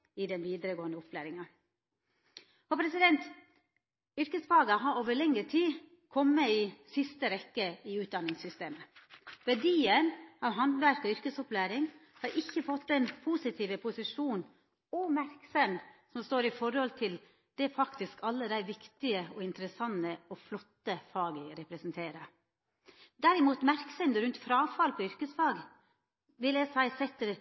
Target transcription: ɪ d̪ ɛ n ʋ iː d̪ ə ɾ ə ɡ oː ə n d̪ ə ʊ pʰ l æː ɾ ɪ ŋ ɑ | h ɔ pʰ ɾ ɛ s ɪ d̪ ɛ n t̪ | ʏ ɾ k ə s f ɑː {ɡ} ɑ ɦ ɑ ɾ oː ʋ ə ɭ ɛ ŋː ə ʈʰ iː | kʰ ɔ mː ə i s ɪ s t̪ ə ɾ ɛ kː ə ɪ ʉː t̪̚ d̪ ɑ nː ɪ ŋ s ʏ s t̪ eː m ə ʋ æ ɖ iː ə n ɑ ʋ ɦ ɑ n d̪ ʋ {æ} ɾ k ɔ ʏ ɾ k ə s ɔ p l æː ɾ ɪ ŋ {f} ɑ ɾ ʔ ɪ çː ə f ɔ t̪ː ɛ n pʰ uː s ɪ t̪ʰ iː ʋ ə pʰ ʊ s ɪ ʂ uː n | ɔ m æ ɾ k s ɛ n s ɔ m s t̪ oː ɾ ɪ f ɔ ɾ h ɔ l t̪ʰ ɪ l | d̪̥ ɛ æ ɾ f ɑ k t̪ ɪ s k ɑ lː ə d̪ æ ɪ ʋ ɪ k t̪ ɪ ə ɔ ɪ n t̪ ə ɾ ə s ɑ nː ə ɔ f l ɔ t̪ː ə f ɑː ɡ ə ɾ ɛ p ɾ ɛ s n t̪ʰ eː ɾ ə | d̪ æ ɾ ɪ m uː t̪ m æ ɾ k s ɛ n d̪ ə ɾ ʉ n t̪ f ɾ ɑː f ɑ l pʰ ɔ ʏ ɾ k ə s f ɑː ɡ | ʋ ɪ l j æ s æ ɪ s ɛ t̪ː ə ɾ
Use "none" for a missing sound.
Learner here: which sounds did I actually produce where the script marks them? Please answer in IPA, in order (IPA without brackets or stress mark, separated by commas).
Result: ɡ, æ, h